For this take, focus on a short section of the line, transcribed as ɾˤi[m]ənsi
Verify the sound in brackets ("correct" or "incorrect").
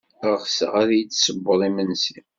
correct